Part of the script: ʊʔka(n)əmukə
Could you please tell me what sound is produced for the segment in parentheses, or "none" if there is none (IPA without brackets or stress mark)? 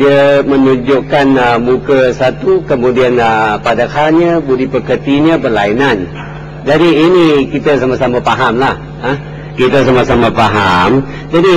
n